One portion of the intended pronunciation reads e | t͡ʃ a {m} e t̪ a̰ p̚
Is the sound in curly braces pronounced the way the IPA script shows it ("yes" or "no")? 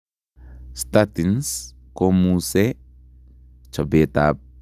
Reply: no